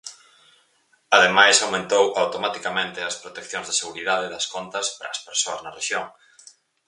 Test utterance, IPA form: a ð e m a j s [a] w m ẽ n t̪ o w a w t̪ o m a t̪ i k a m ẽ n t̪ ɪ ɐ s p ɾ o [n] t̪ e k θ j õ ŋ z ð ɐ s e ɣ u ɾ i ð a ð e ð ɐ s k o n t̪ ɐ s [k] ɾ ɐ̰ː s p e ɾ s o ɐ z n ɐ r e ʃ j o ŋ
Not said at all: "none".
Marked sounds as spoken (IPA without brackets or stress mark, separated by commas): a, none, p